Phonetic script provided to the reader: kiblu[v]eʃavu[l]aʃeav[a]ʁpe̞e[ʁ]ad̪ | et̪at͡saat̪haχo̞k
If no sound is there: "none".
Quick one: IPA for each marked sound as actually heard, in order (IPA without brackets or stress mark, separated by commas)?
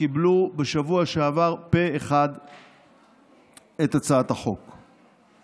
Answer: b, none, a, χ